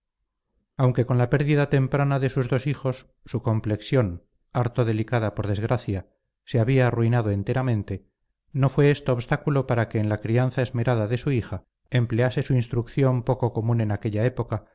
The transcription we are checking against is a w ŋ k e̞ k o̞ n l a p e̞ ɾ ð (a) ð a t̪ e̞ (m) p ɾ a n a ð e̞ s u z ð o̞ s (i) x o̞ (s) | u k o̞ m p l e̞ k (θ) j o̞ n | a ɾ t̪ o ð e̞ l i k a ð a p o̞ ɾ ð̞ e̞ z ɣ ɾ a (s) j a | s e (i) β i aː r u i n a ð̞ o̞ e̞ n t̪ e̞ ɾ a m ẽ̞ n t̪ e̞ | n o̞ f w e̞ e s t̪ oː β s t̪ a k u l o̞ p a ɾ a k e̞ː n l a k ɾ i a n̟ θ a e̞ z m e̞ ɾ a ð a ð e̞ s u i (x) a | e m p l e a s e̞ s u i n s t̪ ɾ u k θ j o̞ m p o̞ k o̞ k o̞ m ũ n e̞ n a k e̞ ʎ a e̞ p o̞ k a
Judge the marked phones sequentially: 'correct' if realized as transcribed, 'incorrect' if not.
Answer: incorrect: i, correct, correct, incorrect: sː, incorrect: s, incorrect: θ, incorrect: a, correct

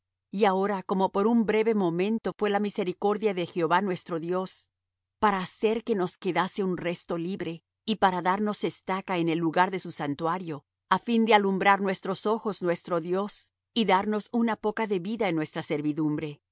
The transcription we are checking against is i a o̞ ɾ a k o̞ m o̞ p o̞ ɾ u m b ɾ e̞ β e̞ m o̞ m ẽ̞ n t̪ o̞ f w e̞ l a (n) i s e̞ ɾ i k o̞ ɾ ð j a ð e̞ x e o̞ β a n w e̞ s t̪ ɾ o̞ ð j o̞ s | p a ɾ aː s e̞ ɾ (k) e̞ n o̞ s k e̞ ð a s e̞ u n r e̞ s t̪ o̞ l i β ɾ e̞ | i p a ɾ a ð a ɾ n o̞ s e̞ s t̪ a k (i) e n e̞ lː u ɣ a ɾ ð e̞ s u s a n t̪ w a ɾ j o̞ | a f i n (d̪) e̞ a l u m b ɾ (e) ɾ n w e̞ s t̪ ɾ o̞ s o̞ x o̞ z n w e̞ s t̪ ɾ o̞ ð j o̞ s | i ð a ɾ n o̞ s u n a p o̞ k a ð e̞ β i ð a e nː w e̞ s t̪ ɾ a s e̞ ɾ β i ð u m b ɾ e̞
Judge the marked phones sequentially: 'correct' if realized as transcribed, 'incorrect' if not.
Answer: incorrect: m, correct, incorrect: a, correct, incorrect: a

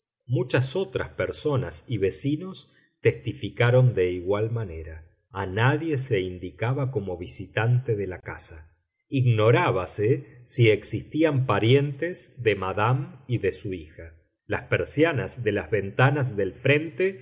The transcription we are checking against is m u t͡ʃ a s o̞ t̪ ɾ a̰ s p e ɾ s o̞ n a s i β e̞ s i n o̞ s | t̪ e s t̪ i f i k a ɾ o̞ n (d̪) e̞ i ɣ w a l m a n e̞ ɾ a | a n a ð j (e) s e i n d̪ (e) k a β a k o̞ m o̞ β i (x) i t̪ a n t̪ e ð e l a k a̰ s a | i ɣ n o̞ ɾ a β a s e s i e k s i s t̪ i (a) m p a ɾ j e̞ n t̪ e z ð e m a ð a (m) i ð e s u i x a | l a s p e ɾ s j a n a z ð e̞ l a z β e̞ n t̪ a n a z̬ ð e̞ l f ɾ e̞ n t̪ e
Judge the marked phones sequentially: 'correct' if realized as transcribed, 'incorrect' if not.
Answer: correct, correct, incorrect: i, incorrect: s, correct, correct

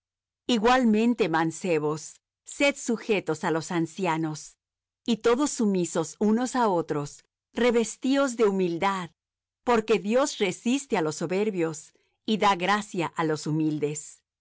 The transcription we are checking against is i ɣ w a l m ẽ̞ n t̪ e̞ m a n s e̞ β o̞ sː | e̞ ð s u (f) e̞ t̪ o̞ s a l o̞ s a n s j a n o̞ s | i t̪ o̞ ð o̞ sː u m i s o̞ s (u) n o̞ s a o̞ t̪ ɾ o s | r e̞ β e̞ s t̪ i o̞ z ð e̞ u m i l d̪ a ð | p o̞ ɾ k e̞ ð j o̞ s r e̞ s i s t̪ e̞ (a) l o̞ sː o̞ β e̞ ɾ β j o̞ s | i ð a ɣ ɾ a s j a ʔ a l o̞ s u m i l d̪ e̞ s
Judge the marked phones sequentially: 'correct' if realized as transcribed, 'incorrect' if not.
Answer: incorrect: x, correct, correct

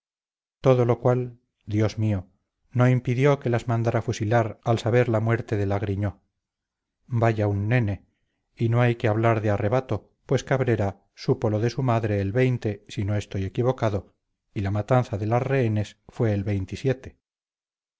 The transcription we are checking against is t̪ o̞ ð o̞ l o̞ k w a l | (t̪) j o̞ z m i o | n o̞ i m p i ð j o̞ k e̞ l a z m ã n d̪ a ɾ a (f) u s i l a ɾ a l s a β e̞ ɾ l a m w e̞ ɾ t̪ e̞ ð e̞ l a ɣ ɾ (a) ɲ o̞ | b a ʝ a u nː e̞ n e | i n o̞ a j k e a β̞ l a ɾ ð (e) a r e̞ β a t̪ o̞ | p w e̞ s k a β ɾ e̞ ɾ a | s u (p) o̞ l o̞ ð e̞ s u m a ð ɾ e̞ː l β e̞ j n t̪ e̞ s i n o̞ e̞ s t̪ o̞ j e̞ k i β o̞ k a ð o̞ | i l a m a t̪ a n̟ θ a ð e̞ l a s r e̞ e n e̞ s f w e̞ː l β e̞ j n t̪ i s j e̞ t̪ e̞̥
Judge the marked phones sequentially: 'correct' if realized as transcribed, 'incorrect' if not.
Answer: incorrect: d̪, correct, incorrect: i, correct, correct

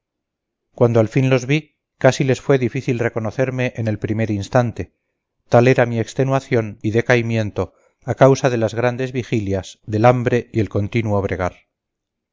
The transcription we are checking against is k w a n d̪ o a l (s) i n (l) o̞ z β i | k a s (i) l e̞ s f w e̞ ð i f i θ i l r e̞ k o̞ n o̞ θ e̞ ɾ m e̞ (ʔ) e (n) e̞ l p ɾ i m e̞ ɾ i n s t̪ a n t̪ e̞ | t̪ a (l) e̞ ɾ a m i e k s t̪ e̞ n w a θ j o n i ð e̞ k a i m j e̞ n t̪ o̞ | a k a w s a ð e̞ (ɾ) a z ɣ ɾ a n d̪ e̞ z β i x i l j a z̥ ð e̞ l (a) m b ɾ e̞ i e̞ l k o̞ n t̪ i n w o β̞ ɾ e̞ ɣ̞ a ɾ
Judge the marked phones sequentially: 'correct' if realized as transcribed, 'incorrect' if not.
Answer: incorrect: f, correct, correct, correct, correct, correct, incorrect: l, correct

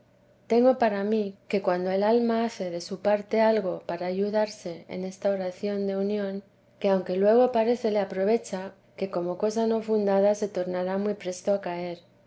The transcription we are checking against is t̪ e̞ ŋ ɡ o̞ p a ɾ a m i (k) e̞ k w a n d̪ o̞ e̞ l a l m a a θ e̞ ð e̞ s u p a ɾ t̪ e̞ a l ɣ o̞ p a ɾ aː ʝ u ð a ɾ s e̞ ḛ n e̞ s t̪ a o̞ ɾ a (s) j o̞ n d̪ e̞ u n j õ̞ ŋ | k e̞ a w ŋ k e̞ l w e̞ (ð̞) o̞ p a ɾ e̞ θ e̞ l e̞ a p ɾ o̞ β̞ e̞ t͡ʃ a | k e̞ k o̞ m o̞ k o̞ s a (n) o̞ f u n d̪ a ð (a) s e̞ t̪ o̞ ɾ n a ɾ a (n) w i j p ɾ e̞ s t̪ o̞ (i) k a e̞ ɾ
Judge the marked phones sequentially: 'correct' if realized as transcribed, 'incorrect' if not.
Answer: correct, incorrect: θ, incorrect: ɣ̞, correct, correct, incorrect: m, incorrect: a

